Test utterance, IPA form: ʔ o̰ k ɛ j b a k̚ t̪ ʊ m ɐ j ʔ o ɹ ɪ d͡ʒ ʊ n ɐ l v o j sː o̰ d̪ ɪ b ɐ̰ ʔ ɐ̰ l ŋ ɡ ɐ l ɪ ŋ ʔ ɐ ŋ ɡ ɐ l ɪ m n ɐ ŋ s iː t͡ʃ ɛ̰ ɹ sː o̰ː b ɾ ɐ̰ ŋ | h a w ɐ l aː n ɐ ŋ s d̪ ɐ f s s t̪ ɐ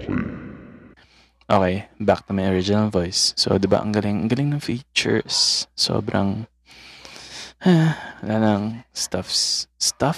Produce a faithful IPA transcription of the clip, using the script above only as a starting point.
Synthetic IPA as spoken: ʔ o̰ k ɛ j b a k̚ t̪ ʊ m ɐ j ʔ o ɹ ɪ d͡ʒ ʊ n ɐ l v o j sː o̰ d̪ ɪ b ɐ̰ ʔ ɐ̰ ŋ ɡ ɐ l ɪ ŋ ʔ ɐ ŋ ɡ ɐ l ɪ ŋ n ɐ ŋ f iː t͡ʃ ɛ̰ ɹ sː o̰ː b ɾ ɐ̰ ŋ | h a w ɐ l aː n ɐ ŋ s t̪ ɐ f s s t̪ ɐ